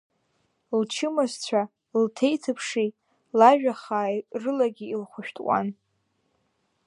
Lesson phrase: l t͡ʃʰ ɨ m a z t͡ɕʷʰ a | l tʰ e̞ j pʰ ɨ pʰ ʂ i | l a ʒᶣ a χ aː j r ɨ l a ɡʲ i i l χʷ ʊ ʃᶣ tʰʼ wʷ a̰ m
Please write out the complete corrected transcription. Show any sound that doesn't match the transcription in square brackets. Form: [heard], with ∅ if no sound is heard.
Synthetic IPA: l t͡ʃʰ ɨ m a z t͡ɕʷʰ a | l tʰ e̞ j [tʰ] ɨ pʰ ʂ i | l a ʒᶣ a χ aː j r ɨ l a ɡʲ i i l χʷ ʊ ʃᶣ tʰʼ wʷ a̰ [n]